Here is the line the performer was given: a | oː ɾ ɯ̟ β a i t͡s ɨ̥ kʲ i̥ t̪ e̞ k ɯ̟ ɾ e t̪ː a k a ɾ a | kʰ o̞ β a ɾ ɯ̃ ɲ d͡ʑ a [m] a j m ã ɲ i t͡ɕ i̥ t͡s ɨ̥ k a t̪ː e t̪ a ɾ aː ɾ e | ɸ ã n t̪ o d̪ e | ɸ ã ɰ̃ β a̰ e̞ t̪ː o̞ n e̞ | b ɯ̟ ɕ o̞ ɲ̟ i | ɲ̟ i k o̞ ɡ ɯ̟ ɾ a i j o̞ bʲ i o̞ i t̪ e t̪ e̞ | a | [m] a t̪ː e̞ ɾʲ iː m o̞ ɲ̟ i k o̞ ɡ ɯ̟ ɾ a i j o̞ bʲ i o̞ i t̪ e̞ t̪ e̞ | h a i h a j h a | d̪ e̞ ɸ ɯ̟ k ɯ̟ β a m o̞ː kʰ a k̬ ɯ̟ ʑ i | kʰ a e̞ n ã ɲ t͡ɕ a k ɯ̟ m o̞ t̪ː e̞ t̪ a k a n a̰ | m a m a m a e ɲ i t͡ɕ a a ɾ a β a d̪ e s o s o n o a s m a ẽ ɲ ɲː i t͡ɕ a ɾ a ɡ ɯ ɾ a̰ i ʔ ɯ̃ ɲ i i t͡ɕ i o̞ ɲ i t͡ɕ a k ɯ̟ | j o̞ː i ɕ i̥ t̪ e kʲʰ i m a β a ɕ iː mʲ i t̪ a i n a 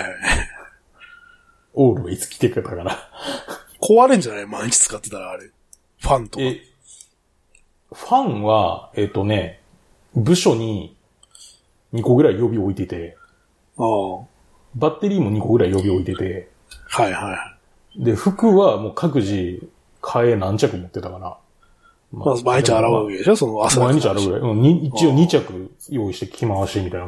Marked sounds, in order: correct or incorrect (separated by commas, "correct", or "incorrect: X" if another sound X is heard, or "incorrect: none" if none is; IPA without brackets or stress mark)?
incorrect: n, incorrect: b